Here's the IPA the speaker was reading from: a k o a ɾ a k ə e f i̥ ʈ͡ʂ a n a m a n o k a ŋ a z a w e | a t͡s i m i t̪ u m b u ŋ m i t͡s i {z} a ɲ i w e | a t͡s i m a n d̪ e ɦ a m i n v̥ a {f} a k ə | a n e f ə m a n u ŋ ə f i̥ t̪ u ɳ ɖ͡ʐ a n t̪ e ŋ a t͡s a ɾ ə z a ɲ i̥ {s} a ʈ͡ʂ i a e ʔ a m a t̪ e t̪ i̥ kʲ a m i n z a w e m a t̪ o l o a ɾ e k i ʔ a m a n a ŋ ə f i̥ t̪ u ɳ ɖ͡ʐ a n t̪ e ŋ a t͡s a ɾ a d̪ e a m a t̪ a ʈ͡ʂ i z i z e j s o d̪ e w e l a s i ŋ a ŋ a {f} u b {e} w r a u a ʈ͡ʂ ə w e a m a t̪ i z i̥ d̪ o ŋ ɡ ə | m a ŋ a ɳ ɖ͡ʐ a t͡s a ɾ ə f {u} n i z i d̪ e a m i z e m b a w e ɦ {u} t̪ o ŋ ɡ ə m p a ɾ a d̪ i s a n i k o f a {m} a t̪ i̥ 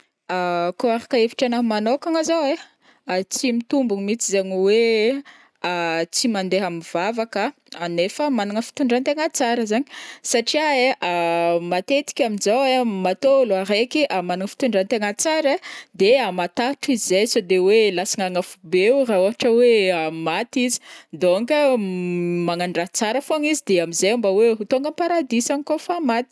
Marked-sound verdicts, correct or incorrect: correct, incorrect: v, correct, correct, correct, incorrect: o, correct, correct

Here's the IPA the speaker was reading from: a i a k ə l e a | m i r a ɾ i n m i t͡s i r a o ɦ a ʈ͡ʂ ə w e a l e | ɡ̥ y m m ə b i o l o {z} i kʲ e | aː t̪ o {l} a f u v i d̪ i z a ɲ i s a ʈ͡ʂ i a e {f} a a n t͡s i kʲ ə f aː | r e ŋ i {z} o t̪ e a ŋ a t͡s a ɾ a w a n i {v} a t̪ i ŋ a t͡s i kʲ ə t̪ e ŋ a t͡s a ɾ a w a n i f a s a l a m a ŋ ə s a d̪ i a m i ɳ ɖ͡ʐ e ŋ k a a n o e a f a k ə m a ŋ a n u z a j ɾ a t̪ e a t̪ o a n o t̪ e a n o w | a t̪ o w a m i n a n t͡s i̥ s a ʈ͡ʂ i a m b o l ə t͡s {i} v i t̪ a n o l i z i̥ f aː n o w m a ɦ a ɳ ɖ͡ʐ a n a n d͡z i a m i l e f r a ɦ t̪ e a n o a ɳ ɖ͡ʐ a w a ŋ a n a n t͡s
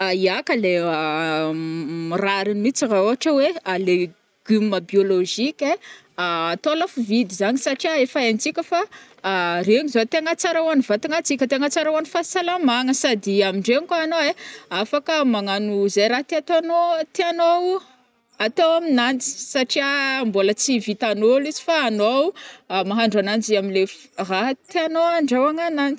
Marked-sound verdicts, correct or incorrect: incorrect: ʒ, correct, correct, correct, correct, correct

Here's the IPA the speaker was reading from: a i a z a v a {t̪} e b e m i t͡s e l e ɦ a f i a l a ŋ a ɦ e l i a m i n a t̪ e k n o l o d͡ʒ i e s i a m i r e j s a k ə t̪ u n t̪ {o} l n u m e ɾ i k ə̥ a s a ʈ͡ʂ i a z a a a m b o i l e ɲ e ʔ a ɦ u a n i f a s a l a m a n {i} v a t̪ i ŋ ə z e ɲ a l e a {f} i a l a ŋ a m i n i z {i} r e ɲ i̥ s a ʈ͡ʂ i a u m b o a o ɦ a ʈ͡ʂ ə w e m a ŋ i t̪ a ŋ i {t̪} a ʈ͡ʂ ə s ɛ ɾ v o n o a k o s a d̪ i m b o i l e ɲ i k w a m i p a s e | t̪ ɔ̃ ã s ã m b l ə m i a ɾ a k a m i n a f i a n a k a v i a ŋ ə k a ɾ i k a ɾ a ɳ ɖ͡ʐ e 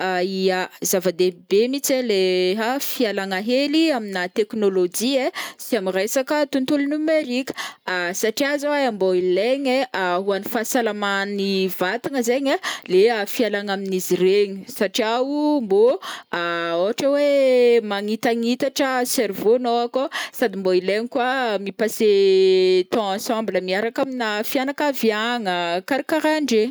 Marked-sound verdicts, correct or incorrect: incorrect: d̪, incorrect: u, correct, correct, correct, correct

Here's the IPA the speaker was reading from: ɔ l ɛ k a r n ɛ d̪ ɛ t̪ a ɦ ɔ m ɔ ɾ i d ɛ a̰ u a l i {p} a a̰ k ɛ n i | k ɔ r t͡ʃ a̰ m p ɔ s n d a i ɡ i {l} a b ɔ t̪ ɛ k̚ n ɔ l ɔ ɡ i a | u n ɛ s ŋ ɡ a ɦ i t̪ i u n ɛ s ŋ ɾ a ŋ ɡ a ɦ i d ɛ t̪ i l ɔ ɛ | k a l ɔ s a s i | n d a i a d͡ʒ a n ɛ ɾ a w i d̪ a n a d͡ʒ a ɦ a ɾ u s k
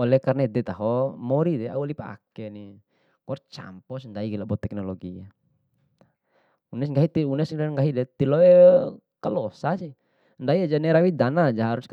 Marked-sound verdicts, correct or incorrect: correct, correct

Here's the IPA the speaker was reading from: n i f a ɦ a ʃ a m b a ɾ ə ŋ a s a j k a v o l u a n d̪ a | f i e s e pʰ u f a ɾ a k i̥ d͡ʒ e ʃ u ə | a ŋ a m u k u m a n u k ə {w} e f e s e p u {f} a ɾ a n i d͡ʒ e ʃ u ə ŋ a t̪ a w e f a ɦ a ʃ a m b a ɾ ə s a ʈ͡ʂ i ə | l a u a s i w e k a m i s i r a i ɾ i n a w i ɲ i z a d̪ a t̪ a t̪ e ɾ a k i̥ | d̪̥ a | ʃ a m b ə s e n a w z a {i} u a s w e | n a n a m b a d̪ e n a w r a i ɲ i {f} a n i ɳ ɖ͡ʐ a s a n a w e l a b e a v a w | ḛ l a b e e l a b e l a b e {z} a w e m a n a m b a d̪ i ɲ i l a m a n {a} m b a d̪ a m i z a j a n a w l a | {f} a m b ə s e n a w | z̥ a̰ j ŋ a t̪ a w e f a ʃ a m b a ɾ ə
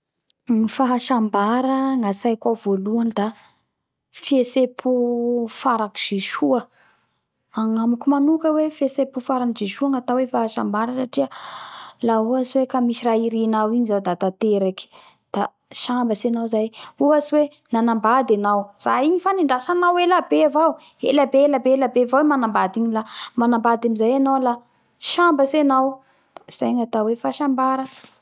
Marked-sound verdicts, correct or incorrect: correct, correct, incorrect: j, correct, incorrect: v, correct, incorrect: ʃ

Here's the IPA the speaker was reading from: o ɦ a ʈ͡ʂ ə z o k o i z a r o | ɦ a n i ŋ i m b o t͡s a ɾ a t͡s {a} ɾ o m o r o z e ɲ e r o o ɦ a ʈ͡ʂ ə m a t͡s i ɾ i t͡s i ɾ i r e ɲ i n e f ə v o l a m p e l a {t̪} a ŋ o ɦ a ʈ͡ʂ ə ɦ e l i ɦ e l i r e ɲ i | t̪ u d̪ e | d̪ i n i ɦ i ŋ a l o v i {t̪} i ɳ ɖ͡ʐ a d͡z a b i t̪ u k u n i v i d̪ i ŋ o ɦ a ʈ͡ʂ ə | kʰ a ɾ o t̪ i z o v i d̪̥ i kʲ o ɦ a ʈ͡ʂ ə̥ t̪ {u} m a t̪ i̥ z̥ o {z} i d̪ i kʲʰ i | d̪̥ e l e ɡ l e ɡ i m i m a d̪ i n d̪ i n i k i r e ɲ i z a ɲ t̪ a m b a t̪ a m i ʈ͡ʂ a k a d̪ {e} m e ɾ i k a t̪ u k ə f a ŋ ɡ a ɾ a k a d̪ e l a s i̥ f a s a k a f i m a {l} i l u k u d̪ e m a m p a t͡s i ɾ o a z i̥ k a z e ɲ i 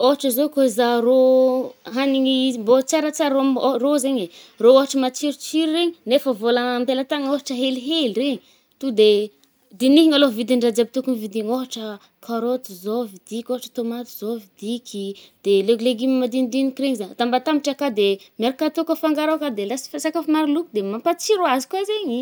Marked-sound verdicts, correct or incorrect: correct, correct, incorrect: d̪, incorrect: o, incorrect: v, correct, incorrect: ɾ

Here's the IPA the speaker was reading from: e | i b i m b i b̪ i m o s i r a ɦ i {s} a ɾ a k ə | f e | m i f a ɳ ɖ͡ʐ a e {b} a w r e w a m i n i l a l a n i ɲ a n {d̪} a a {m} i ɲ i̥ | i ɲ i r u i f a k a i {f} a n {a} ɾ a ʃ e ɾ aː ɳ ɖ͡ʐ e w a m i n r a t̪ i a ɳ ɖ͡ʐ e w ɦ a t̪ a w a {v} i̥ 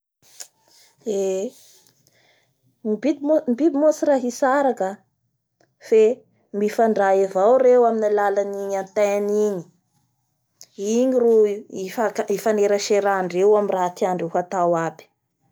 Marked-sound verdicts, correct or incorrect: correct, incorrect: v, incorrect: t̪, incorrect: n, correct, incorrect: e, incorrect: b

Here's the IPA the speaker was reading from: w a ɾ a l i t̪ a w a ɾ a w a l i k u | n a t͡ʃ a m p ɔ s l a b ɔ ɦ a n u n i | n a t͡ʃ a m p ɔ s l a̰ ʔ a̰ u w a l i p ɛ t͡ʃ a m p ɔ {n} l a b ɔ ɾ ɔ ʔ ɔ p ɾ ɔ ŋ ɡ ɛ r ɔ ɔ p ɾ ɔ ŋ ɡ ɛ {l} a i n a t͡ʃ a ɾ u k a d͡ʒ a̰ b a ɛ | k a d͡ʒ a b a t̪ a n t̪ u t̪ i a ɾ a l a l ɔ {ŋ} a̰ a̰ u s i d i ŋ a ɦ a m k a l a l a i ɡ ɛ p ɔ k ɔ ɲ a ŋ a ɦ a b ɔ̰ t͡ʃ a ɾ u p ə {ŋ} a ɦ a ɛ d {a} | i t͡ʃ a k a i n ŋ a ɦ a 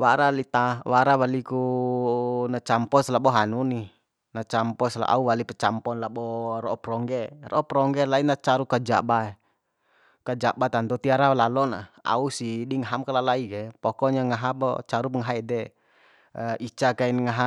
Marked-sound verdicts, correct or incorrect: correct, correct, incorrect: n, correct, incorrect: ɛ

